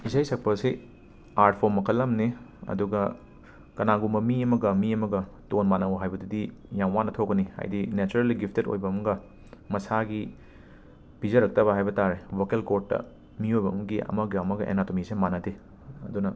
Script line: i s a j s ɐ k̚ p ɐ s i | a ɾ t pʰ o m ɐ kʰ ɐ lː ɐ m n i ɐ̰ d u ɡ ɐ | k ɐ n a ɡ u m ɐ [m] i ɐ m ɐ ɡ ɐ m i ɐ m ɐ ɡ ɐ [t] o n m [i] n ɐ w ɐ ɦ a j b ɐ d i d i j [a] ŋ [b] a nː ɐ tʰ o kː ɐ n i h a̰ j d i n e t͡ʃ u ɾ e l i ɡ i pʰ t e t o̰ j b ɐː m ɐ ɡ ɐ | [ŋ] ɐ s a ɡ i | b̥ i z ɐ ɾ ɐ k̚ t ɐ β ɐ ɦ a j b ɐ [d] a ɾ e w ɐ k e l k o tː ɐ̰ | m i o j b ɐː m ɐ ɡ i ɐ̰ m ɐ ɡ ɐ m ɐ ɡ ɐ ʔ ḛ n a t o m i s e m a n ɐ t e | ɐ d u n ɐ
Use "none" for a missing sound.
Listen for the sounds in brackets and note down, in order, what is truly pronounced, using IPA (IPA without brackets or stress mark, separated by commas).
m, t, a, a, w, m, t